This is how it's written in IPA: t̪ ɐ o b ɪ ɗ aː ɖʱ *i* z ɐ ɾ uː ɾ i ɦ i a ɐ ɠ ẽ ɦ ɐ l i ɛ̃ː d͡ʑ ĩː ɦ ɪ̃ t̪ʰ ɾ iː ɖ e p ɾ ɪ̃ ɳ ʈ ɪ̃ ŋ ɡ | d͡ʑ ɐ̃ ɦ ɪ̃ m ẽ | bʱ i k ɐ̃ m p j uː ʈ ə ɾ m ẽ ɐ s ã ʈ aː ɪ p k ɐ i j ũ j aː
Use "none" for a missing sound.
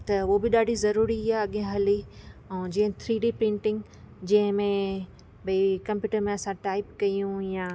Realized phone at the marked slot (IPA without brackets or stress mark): i